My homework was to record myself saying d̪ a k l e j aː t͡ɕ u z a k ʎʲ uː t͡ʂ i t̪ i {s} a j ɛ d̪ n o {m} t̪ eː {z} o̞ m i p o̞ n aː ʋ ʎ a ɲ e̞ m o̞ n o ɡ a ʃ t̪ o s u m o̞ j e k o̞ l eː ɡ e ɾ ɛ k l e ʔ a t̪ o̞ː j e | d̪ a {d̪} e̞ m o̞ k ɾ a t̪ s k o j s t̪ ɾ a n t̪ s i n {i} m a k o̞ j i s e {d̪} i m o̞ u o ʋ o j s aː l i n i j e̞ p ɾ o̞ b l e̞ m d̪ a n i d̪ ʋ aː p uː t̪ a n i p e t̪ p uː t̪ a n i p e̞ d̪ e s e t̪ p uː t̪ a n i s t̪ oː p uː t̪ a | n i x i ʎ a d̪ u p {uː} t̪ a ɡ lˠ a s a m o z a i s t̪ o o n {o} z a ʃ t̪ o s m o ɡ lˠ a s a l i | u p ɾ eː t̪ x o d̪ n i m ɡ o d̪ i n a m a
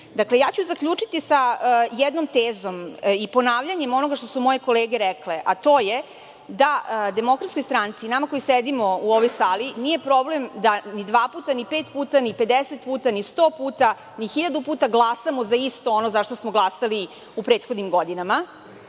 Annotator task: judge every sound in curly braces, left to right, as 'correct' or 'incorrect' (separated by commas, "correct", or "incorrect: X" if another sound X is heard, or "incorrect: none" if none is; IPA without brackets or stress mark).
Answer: correct, correct, correct, correct, incorrect: a, correct, correct, correct